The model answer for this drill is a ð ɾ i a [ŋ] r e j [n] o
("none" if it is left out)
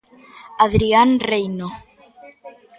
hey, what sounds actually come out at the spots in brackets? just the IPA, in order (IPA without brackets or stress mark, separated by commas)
n, n